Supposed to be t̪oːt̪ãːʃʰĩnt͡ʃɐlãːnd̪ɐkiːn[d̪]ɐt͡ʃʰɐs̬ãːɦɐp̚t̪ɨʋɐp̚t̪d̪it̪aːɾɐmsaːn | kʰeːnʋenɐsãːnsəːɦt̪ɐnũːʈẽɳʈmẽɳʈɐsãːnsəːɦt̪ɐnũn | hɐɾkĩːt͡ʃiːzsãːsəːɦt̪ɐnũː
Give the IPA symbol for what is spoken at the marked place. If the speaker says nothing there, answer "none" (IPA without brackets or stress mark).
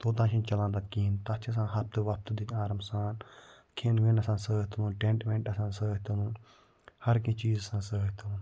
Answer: t̪